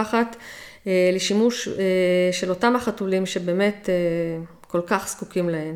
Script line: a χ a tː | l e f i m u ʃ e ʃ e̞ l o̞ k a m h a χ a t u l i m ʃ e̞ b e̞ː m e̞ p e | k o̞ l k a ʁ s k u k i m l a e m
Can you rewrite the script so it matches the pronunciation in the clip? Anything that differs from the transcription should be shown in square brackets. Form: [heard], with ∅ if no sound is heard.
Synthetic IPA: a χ a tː | l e [ʃ] i m u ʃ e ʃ e̞ l o̞ [t] a m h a χ a t u l i m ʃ e̞ b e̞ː m e̞ [t] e | k o̞ l k a [χ] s k u k i m l a e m